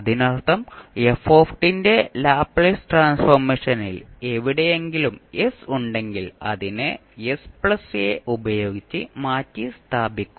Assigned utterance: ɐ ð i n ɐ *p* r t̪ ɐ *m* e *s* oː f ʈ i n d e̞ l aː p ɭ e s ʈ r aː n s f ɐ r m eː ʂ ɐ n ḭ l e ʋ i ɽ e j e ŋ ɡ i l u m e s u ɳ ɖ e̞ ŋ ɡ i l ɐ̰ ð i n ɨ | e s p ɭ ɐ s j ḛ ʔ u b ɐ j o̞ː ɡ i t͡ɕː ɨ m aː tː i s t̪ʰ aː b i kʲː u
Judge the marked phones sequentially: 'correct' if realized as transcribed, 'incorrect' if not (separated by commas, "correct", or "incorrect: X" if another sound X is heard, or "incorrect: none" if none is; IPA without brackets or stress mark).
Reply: incorrect: none, correct, incorrect: f